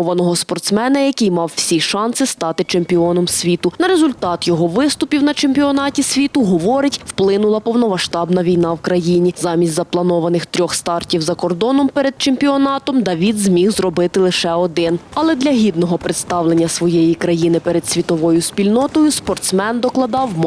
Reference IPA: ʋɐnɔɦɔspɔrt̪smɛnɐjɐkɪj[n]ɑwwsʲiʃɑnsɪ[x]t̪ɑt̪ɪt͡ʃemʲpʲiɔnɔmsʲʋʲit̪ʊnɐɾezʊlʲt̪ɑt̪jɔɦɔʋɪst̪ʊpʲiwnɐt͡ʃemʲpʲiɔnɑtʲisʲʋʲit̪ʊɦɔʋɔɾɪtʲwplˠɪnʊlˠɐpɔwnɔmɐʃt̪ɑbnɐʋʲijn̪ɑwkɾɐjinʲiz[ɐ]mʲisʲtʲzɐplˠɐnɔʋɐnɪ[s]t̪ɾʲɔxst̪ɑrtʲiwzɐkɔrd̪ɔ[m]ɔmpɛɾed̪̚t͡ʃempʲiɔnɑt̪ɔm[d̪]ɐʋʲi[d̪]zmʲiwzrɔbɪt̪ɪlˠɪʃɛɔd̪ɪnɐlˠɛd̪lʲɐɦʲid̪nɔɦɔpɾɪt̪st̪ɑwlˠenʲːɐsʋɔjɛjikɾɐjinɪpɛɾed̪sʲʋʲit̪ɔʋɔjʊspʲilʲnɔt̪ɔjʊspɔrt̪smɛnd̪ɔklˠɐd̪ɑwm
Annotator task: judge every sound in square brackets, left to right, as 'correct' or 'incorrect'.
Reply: incorrect: m, incorrect: s, incorrect: ɑ, incorrect: x, incorrect: n, correct, correct

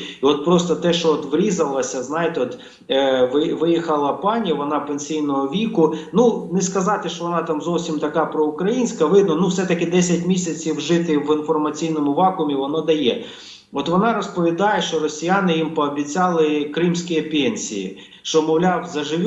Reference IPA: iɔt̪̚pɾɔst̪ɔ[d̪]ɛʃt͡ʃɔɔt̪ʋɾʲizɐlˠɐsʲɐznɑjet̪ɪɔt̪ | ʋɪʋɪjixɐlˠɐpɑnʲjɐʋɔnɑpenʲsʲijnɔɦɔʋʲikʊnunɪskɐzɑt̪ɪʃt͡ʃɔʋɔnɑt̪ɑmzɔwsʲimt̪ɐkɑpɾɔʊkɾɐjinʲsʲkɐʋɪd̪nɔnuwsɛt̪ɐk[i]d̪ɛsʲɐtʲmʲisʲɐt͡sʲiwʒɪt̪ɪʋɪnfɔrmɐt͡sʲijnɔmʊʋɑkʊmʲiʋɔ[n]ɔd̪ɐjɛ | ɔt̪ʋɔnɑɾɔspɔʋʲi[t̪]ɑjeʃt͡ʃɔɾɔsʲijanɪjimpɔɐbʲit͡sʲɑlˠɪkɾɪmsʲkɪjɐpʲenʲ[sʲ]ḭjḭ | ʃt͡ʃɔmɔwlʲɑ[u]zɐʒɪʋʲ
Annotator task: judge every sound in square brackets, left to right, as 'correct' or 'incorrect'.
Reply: incorrect: t̪, incorrect: ɪ, correct, incorrect: d̪, correct, incorrect: w

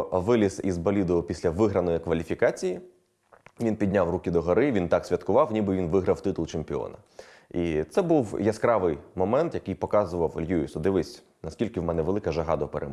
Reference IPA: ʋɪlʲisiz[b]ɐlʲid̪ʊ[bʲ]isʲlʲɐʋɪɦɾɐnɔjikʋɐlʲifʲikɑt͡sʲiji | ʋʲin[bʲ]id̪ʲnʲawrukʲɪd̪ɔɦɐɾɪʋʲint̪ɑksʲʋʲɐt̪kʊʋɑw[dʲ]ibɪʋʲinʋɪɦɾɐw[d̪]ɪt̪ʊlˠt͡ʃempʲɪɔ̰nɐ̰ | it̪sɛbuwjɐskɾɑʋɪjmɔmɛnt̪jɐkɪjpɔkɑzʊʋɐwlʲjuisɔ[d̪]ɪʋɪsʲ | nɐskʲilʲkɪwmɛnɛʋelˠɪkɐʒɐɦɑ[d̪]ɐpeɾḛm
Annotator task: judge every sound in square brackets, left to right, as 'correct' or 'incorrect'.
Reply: correct, incorrect: pʲ, incorrect: pʲ, incorrect: nʲ, incorrect: t̪, correct, correct

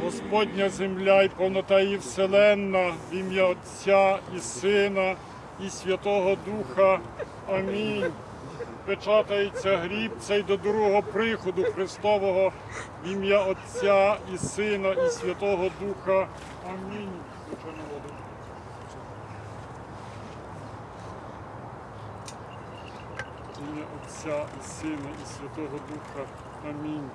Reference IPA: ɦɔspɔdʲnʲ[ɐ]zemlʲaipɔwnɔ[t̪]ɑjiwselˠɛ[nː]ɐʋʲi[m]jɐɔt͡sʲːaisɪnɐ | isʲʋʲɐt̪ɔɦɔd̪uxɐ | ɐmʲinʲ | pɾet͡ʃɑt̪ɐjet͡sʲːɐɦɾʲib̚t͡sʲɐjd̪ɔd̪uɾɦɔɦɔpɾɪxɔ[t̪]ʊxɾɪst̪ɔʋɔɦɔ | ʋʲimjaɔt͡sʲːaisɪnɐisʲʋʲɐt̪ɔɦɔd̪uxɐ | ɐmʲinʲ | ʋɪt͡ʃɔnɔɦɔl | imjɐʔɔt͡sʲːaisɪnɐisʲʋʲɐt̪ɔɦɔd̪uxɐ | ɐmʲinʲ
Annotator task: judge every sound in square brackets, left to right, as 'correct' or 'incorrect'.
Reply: correct, correct, correct, correct, incorrect: d̪

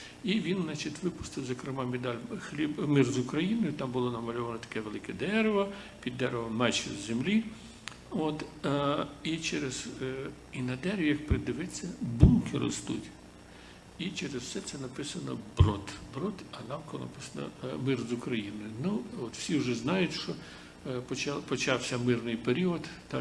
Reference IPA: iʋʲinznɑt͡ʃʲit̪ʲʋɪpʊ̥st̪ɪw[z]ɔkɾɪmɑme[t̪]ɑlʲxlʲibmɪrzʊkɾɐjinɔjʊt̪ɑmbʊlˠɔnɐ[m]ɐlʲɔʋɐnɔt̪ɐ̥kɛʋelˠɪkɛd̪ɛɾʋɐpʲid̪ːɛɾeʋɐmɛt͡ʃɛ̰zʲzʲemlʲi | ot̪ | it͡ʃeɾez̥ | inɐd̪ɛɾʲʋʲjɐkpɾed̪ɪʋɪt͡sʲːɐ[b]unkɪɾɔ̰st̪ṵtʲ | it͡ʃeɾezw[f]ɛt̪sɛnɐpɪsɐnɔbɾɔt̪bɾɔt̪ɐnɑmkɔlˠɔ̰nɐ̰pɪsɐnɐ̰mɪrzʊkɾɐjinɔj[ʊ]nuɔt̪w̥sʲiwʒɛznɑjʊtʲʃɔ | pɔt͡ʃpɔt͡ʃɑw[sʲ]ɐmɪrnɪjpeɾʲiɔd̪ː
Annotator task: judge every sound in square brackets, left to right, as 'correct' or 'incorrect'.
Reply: correct, incorrect: d̪, correct, correct, incorrect: s, correct, correct

